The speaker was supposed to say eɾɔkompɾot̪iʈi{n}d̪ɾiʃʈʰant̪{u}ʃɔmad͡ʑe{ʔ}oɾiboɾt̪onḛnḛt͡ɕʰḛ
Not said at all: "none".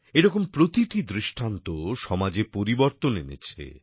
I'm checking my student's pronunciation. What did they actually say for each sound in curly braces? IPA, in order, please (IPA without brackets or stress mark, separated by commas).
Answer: none, o, p